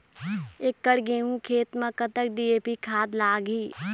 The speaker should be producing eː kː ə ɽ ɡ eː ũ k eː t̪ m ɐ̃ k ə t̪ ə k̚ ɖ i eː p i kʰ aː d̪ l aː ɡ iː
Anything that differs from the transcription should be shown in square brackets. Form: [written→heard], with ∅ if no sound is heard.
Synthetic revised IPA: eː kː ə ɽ ɡ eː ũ [k→kʰ] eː t̪ m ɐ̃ k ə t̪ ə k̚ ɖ i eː p i kʰ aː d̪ l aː ɡ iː